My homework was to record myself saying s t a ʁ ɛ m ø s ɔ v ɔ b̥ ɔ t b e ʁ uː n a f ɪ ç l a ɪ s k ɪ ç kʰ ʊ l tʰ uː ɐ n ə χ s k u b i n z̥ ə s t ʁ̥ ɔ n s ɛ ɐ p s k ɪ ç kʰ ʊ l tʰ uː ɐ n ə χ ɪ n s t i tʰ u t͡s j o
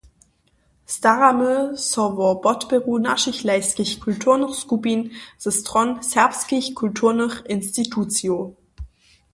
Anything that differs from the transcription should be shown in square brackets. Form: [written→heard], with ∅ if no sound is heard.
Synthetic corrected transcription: s t a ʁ [ɛ→a] m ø s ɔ v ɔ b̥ ɔ t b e ʁ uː n a [f→ʃ] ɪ ç l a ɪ s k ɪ ç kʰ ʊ l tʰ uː ɐ n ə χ s k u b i n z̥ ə s t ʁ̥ ɔ n s ɛ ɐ p s k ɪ ç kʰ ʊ l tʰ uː ɐ n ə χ ɪ n s t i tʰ u t͡s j o